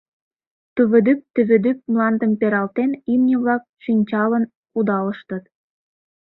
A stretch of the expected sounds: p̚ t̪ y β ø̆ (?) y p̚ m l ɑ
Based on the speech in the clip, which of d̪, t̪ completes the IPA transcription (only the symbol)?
d̪